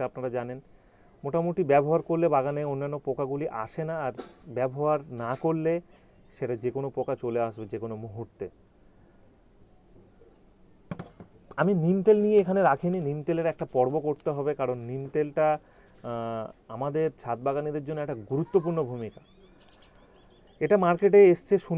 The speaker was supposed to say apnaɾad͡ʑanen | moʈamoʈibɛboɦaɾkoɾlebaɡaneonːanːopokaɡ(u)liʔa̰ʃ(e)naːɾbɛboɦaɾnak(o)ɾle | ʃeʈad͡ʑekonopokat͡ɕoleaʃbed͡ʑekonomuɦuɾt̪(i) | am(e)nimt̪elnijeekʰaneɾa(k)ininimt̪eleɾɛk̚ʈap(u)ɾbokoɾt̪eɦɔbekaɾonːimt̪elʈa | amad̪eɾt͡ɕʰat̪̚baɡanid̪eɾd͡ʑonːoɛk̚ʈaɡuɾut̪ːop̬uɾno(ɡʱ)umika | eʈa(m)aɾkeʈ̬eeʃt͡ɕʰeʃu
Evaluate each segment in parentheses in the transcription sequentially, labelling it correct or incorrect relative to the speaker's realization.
correct, correct, correct, incorrect: e, incorrect: i, incorrect: kʰ, incorrect: ɔ, incorrect: bʱ, correct

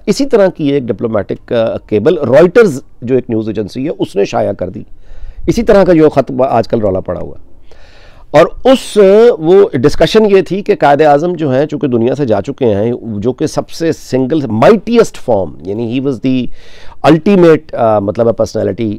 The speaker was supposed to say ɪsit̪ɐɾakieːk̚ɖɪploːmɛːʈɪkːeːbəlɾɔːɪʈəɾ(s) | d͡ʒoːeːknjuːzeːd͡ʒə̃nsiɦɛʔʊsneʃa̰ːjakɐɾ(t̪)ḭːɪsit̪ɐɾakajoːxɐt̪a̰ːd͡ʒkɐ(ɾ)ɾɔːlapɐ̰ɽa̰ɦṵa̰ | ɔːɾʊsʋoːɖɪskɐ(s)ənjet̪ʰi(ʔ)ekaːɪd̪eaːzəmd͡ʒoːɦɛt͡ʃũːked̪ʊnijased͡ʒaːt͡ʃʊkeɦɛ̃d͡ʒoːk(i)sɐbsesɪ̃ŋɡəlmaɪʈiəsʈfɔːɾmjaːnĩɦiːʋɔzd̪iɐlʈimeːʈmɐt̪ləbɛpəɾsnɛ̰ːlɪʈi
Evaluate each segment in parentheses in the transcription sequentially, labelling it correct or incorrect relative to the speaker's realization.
incorrect: z, incorrect: d̪, incorrect: l, incorrect: ʃ, incorrect: k, incorrect: e

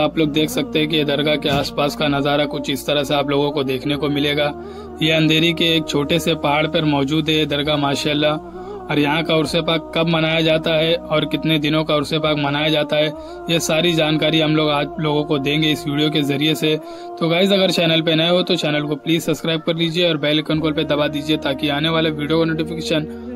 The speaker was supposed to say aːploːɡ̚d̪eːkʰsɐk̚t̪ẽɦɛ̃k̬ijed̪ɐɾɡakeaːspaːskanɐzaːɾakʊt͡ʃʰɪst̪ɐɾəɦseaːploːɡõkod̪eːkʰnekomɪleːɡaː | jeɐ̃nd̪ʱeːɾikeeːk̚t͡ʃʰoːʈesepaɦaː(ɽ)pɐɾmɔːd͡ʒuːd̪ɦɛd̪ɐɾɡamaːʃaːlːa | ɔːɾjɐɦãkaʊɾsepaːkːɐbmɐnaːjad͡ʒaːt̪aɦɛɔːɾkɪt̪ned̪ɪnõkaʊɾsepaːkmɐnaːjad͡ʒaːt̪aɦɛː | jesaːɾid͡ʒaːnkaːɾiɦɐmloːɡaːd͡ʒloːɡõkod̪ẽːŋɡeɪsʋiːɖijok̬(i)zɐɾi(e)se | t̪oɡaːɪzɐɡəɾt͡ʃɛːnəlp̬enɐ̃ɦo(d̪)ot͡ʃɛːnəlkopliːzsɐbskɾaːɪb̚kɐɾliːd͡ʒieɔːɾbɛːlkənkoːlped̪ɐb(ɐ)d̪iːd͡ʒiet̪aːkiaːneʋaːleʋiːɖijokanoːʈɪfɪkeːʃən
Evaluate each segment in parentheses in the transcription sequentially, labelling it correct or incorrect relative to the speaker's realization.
correct, incorrect: e, correct, incorrect: t̪, incorrect: a

